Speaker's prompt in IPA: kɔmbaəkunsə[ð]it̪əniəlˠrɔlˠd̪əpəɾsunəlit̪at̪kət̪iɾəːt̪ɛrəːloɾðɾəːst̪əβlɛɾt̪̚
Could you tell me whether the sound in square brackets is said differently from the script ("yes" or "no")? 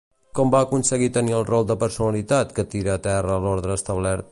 yes